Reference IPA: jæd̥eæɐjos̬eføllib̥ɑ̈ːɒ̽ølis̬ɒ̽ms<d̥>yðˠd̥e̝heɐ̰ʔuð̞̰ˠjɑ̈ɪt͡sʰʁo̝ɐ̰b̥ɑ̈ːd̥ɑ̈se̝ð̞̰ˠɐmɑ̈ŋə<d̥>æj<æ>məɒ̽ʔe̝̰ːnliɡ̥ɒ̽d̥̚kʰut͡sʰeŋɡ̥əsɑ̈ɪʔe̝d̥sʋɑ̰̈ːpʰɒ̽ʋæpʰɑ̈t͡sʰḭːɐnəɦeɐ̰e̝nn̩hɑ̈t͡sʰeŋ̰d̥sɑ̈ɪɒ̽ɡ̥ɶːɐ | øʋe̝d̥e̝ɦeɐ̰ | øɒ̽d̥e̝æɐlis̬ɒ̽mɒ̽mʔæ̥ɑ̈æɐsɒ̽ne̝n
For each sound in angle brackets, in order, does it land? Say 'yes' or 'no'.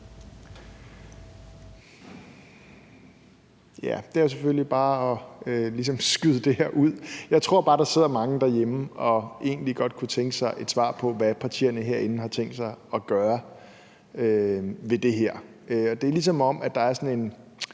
no, yes, no

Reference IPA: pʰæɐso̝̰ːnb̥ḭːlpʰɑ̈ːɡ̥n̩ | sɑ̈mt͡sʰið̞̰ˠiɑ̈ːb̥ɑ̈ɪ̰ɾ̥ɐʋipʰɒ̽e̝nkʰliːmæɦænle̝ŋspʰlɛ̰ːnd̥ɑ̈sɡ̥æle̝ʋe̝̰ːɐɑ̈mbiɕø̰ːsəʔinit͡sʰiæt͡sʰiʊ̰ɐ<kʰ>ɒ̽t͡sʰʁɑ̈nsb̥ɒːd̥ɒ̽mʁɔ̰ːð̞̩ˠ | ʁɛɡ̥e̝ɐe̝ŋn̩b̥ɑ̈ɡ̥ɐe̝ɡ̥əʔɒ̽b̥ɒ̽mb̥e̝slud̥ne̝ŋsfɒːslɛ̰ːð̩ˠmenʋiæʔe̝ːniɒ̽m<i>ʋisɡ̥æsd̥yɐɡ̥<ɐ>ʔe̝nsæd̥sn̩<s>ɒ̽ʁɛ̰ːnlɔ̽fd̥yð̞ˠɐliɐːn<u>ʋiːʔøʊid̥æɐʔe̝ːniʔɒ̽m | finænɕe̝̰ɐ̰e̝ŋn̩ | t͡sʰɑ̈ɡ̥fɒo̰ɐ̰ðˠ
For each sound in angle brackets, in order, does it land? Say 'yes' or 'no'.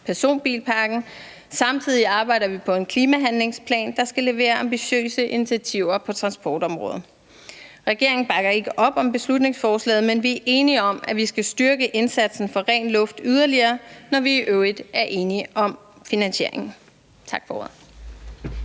no, no, no, no, no

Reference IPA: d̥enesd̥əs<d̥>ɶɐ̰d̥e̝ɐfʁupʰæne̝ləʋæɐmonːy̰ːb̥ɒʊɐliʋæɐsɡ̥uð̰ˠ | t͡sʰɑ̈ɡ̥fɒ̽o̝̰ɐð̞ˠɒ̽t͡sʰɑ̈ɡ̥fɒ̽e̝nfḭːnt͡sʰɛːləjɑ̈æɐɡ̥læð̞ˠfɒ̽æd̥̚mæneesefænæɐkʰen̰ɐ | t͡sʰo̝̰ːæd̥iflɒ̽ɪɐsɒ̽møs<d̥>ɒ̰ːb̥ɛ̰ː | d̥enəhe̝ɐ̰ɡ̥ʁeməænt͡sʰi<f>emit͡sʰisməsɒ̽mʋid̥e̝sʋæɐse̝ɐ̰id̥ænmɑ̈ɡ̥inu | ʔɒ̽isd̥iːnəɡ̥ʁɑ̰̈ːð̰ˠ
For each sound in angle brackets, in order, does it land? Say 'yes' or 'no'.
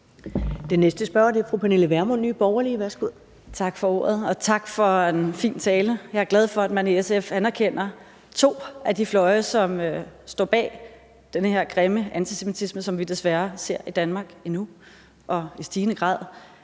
no, yes, no

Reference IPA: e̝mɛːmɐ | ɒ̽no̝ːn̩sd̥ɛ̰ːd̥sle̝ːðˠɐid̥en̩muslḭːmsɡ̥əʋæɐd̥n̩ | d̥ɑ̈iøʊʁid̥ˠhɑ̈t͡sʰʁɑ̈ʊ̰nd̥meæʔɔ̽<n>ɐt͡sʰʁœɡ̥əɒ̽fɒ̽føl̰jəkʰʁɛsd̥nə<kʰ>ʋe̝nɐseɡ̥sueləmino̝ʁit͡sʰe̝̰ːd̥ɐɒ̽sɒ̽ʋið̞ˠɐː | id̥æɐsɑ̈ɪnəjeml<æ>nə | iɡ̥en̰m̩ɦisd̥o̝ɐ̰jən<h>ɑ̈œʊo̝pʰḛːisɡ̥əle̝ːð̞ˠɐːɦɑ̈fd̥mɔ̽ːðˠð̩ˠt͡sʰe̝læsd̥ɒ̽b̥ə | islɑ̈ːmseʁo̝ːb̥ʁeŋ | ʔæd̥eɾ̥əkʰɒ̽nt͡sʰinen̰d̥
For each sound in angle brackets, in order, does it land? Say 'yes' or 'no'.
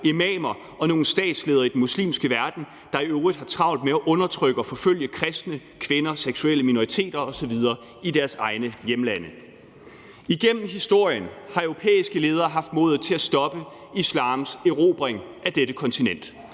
yes, yes, yes, yes

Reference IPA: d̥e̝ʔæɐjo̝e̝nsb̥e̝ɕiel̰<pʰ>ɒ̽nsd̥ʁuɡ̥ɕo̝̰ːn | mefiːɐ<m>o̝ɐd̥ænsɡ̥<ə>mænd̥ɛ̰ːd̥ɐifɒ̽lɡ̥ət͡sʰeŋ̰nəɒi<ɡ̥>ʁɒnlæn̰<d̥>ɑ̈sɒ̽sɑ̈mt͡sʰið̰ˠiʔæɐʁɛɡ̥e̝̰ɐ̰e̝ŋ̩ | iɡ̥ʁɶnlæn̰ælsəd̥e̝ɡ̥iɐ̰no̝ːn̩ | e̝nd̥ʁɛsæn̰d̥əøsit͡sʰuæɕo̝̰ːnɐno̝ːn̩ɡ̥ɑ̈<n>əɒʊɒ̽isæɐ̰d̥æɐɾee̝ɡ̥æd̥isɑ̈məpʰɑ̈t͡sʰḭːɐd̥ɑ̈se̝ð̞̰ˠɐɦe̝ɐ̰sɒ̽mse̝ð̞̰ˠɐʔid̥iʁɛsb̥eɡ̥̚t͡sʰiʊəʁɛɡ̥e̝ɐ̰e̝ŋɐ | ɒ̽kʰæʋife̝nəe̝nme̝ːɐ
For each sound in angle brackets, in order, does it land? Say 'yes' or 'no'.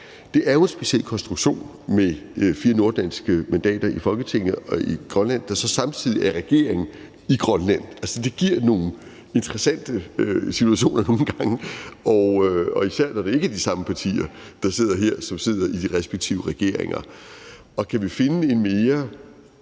no, no, yes, yes, yes, no

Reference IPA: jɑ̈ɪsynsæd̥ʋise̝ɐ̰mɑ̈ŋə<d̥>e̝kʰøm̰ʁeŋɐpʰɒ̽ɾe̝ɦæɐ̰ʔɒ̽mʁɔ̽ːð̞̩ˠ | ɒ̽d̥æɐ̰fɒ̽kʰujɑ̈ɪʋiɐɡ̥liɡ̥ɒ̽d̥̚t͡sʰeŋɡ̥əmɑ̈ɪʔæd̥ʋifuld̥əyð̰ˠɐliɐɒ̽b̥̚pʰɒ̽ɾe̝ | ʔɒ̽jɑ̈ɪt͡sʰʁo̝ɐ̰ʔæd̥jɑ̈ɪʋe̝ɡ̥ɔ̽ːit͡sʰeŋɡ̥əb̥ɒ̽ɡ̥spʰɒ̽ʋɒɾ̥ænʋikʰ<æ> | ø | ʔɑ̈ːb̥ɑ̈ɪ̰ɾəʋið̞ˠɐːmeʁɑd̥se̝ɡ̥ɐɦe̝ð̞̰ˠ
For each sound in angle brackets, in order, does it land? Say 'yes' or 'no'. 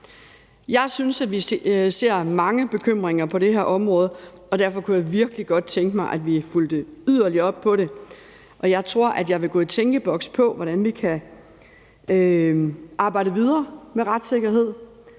no, yes

